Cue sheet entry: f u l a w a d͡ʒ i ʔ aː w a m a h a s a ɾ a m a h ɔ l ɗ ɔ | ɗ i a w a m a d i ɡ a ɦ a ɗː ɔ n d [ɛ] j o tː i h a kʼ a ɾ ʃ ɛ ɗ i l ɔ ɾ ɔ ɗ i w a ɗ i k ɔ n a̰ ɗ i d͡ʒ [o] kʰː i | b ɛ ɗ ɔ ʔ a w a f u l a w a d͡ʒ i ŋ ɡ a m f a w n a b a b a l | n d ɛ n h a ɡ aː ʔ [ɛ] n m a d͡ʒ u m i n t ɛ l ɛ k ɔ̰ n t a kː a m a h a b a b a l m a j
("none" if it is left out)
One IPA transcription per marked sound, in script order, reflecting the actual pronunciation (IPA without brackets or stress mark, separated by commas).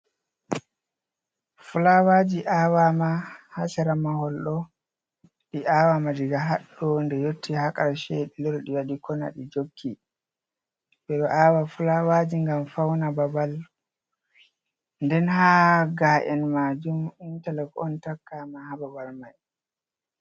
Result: ɛ, o, ɛ